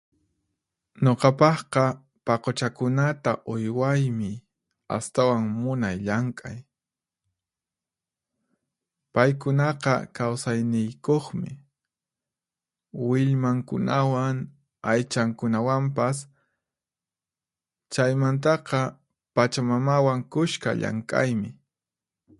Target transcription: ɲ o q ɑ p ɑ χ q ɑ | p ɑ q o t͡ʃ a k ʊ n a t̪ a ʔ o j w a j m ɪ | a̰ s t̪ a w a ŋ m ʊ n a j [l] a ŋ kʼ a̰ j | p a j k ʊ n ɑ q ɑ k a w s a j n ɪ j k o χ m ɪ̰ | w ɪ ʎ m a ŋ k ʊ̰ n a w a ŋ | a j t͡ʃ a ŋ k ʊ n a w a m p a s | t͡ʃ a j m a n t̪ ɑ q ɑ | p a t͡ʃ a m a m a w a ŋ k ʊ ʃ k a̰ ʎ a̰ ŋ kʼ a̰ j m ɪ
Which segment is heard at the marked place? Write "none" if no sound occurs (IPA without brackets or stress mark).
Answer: ʎ